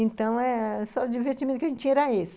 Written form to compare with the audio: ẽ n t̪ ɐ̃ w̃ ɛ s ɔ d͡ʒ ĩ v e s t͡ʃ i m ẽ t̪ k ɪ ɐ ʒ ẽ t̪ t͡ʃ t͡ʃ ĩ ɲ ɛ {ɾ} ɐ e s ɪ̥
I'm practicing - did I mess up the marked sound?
no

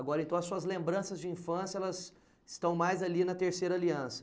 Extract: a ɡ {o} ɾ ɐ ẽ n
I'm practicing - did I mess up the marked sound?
yes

